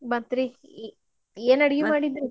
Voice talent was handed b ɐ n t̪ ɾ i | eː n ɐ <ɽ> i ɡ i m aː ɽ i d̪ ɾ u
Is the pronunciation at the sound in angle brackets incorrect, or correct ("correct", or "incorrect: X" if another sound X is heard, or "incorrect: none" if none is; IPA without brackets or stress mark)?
correct